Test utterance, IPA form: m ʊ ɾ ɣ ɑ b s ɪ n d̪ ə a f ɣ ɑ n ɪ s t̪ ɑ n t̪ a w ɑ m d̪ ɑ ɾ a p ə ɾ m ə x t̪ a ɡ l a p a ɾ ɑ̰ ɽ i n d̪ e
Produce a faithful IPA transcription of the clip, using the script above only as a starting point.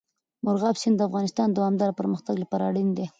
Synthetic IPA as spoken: m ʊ ɾ ɣ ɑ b s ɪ n d̪ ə a f ɣ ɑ n ɪ s t̪ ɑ n d̪ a w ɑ m d̪ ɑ ɾ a p ə ɾ m ə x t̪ a ɡ l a p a ɾ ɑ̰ ɽ i n d̪ e

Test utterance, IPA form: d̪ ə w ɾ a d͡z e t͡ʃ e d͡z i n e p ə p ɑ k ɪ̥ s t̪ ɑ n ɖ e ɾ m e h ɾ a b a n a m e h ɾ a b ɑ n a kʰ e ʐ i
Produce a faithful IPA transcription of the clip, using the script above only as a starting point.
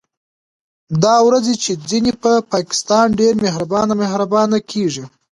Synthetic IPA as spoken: d̪ ɑ w ɾ a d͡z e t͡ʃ e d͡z i n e p ə p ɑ k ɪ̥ s t̪ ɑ n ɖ e ɾ m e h ɾ a b ɑ n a m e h ɾ a b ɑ n a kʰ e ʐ i

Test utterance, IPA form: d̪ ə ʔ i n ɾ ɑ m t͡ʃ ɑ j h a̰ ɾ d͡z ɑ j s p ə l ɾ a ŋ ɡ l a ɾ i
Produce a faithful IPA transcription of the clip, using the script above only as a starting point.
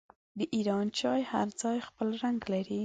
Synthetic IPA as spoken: d̪ ə ʔ i ɾ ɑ n t͡ʃ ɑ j h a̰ ɾ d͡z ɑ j x p ə l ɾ a ŋ ɡ l a ɾ i

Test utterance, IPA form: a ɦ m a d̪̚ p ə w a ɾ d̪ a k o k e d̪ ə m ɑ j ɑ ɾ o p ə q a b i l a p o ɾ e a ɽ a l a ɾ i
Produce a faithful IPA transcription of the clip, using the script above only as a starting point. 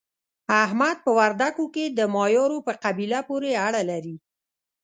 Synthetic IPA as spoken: a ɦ m a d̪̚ p ə w a ɾ d̪ a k o k e d̪ ə m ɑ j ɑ ɾ o p ə q a b i l a p o ɾ e a ɽ a l a ɾ i

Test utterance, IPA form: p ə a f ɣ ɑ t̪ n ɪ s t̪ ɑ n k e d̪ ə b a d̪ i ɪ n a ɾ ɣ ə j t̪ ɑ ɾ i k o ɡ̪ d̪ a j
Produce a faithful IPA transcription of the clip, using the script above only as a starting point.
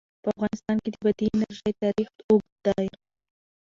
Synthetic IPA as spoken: p ə a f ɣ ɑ n ɪ s t̪ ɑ n k e d̪ ə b a d̪ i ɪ n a ɾ ʒ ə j t̪ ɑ ɾ i x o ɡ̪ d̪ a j

